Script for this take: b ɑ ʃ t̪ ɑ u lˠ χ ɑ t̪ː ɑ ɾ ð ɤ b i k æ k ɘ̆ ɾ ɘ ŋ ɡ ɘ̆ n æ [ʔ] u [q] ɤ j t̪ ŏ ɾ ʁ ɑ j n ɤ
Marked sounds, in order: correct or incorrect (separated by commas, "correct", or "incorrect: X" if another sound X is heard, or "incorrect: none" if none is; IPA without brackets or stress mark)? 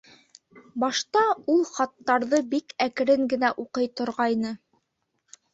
correct, correct